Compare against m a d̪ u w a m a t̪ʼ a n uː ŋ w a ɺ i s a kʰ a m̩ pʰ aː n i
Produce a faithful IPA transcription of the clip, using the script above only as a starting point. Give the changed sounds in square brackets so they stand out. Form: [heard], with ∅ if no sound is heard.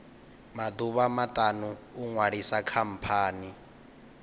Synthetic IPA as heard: m a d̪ u [β] a m a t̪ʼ a n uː ŋ w a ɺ i s a kʰ a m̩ pʰ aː n i